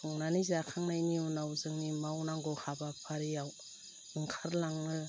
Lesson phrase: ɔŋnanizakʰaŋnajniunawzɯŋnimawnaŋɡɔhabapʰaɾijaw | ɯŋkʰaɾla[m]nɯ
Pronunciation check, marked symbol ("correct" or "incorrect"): incorrect